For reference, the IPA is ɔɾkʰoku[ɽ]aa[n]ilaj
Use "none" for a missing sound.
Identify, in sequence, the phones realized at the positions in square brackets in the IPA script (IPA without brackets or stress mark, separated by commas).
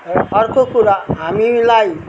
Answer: ɾ, m